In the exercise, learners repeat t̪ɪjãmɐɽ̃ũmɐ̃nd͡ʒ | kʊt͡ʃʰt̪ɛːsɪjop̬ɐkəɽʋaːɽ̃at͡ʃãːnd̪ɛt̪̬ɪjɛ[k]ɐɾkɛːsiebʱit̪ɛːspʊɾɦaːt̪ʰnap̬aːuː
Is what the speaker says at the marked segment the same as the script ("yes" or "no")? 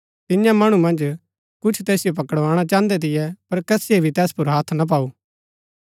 no